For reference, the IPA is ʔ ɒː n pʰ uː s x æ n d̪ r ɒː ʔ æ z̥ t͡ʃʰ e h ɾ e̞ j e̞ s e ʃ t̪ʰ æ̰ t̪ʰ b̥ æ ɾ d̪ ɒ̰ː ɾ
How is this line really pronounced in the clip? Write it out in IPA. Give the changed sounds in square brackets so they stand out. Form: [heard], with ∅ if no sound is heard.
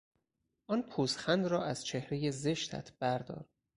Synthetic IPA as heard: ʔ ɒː n pʰ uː s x æ n d̪ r ɒː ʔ æ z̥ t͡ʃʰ e h ɾ e̞ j e̞ [z] e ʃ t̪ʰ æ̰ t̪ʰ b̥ æ ɾ d̪ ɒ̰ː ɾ